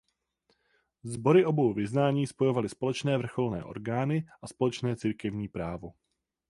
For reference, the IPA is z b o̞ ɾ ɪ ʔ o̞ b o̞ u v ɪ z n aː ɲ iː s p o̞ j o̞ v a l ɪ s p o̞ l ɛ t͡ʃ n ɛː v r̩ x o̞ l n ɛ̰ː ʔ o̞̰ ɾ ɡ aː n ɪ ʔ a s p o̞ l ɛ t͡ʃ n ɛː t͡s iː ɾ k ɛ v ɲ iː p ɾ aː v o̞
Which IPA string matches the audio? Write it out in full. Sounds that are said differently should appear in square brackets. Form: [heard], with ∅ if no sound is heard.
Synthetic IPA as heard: z b o̞ ɾ ɪ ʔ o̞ b o̞ [w] v ɪ z n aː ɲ iː s p o̞ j o̞ v a l ɪ s p o̞ l ɛ t͡ʃ n ɛː v r̩ x o̞ l n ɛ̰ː ʔ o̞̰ ɾ ɡ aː n ɪ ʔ a s p o̞ l ɛ t͡ʃ n ɛː t͡s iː ɾ k ɛ v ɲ iː p ɾ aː v o̞